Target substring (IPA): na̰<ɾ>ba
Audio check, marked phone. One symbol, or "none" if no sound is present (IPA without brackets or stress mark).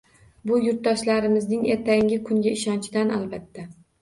l